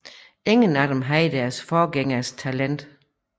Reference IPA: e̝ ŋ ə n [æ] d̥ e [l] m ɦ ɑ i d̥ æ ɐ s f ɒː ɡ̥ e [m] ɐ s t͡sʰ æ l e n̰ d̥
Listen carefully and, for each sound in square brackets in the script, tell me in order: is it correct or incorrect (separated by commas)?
correct, incorrect, incorrect